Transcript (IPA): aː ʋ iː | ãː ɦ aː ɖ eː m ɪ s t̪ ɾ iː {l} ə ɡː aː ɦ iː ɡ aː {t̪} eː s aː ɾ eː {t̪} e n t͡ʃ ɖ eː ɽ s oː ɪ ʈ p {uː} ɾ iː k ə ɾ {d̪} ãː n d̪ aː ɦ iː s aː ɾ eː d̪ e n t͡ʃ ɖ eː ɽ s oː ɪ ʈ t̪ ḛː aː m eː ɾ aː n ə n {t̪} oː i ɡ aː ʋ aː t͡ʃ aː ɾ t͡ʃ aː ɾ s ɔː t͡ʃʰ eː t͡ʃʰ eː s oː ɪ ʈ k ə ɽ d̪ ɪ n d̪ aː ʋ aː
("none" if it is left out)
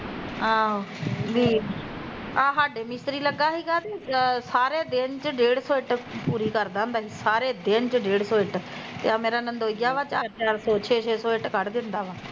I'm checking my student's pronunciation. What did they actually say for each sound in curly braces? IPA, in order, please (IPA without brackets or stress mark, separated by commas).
l, t̪, d̪, uː, d̪, d̪